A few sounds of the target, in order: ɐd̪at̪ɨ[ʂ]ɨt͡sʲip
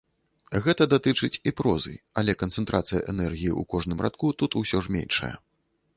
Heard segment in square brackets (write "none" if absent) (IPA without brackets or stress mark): t͡ʂ